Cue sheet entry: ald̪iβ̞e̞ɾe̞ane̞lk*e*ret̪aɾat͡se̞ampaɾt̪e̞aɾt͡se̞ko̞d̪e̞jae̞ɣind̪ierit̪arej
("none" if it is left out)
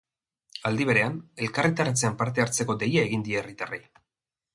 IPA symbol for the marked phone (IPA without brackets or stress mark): a